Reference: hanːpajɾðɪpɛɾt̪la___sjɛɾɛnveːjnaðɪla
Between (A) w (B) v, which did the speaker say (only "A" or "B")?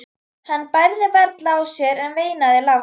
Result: A